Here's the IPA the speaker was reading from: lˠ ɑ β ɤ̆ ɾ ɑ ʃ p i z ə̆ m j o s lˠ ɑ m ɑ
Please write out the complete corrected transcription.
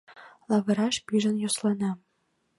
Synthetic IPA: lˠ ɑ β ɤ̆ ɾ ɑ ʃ p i ʒ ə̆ n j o s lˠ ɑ n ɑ